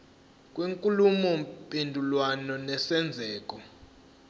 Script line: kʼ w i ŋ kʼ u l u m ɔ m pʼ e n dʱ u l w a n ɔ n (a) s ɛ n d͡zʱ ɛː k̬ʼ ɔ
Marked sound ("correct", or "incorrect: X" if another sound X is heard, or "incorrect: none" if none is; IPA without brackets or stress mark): incorrect: ɛ